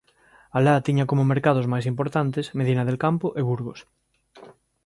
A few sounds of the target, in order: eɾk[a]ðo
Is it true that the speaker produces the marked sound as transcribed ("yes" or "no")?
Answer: yes